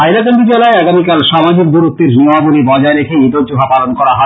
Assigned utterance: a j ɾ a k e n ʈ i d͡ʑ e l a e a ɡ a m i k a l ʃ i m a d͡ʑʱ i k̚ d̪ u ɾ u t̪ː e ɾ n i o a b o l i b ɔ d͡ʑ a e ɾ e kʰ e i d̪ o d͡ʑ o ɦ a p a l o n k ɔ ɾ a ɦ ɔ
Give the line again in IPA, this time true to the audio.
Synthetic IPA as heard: a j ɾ a k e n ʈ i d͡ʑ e l a e a ɡ a m i k a l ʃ a m a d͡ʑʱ i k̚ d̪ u ɾ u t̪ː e ɾ n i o a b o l i b ɔ d͡ʑ a e ɾ e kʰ e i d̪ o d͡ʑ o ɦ a p a l o n k ɔ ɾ a ɦ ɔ